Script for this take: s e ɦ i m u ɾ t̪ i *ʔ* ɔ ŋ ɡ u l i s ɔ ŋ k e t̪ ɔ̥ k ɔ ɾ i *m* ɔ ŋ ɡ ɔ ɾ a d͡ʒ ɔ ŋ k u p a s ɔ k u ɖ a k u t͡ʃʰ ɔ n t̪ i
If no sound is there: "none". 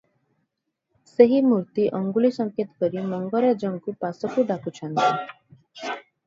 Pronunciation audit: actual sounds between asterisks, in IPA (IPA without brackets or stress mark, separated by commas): ʔ, m